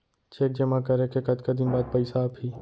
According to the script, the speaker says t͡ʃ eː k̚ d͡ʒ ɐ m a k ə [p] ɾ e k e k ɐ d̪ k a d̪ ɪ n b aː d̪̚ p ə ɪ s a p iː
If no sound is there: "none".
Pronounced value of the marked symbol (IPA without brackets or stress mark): none